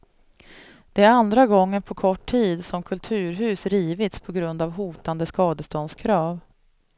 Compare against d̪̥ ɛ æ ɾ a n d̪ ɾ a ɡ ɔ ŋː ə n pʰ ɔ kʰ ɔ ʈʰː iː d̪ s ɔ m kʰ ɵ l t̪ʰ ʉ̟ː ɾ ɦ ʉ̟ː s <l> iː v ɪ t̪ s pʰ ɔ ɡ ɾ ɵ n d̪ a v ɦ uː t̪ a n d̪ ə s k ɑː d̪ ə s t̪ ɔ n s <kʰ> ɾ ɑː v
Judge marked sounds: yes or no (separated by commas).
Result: no, yes